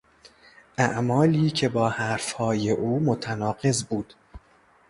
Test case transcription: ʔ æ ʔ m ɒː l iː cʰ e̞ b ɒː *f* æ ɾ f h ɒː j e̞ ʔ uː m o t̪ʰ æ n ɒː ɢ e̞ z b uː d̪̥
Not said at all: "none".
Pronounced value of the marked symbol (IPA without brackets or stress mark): h